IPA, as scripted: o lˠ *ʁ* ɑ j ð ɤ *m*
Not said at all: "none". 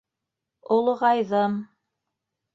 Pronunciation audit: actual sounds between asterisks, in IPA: ʁ, m

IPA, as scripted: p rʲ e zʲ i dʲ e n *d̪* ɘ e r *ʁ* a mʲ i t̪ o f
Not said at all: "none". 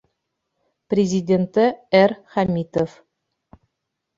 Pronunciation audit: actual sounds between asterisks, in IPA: t̪, χ

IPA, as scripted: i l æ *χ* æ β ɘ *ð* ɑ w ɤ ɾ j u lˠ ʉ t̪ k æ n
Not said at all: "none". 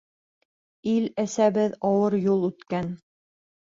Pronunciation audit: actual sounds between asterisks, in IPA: s, ð

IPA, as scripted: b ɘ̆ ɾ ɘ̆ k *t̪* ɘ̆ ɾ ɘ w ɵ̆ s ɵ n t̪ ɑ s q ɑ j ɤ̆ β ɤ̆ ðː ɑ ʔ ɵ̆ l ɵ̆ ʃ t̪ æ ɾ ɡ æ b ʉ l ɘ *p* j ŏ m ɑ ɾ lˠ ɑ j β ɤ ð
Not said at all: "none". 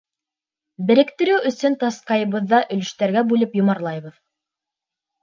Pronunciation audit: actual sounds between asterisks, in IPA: t̪, p

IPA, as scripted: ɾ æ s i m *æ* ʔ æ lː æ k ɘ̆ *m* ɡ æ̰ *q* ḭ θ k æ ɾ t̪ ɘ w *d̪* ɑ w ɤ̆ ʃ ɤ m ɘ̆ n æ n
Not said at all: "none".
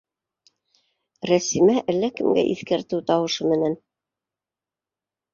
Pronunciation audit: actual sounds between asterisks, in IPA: æ, m, ʔ, t̪

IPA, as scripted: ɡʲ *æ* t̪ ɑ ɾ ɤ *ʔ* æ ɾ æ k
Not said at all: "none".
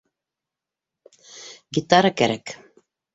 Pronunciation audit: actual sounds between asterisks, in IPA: i, k

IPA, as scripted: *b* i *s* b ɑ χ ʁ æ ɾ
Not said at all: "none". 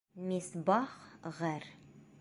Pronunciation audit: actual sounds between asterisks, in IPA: m, s

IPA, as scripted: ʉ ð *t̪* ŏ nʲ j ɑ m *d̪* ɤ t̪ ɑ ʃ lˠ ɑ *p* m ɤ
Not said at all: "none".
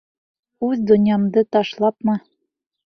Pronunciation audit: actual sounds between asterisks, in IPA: d̪, d̪, p

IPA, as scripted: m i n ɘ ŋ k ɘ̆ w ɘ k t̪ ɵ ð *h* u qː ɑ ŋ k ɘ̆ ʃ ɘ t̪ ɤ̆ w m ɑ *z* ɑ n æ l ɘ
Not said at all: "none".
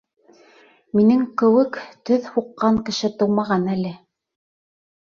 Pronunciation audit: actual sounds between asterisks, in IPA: h, ʁ

